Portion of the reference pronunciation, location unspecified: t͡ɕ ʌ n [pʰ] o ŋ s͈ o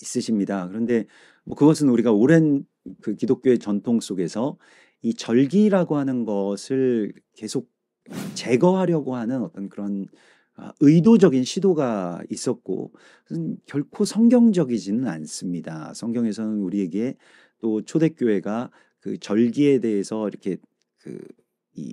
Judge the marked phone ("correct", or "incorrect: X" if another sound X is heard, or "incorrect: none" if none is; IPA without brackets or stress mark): incorrect: tʰ